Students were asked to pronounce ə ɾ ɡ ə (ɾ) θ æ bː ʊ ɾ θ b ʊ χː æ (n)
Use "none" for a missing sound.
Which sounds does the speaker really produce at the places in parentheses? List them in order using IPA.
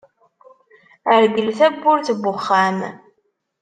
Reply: l, m

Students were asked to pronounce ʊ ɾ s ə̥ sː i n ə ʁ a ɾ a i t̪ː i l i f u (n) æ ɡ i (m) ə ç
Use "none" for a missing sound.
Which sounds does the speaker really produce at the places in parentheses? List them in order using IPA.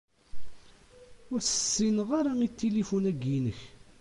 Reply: n, n

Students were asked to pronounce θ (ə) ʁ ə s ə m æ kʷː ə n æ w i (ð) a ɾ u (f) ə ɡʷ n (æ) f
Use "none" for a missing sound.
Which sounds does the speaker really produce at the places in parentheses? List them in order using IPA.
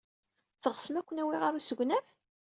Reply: ə, ʁ, s, æ

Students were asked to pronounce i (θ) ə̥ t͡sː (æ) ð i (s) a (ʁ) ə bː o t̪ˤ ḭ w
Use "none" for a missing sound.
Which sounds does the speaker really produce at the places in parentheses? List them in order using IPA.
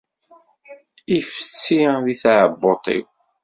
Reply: f, i, θ, ʕ

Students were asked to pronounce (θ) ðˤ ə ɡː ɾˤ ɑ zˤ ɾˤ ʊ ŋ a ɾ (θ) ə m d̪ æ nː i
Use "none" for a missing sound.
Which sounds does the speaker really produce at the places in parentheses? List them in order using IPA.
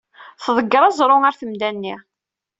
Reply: θ, θ

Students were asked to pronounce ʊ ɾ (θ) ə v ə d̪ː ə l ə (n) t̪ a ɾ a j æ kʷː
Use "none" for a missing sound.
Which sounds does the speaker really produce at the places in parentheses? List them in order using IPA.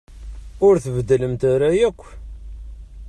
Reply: θ, m

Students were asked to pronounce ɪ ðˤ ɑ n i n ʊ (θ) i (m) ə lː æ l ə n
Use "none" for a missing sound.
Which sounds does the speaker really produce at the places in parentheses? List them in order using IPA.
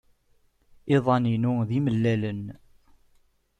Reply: ð, m

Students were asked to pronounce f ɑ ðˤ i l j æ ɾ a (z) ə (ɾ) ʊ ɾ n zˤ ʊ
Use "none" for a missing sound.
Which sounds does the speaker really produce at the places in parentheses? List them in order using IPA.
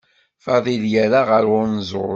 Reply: ʁ, ɾ

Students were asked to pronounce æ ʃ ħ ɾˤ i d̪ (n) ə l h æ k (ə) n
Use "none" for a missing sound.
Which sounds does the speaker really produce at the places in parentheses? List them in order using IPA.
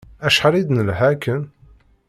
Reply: n, ə

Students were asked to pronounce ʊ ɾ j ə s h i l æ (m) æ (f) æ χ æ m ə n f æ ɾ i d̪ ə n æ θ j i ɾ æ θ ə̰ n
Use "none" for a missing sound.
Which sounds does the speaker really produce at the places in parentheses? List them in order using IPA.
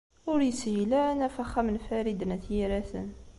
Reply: n, f

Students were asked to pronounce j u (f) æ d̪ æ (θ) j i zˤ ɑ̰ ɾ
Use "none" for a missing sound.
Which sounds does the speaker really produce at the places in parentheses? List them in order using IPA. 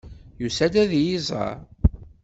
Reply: s, ð

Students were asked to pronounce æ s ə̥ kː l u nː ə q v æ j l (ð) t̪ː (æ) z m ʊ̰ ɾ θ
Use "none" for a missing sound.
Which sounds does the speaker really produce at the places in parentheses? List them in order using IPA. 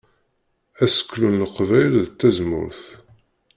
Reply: ð, æ

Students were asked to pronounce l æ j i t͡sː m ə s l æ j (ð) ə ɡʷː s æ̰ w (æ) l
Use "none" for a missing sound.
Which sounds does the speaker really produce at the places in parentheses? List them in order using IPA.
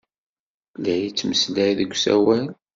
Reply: ð, æ

